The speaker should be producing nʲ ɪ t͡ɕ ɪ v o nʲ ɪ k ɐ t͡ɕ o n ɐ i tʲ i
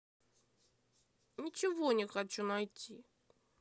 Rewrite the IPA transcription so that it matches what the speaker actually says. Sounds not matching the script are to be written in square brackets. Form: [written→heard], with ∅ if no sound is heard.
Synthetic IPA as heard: nʲ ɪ t͡ɕ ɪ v o nʲ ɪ [k→x] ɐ t͡ɕ [o→u] n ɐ [i→j] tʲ i